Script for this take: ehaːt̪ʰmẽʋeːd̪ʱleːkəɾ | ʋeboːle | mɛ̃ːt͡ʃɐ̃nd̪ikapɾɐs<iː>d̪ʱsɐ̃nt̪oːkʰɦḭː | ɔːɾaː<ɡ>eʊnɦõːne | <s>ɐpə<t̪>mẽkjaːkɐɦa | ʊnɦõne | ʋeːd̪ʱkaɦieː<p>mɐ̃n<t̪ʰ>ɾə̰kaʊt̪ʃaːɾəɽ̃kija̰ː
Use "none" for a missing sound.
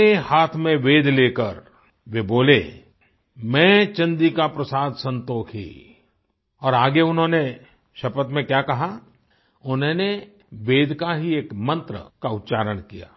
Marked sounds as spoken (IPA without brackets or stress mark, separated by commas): aː, ɡ, ʃ, t̪, k, t̪